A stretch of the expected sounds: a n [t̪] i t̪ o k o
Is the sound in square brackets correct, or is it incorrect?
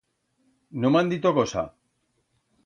incorrect